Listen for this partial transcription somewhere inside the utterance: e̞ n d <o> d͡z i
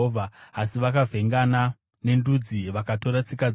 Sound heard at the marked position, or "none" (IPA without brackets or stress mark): u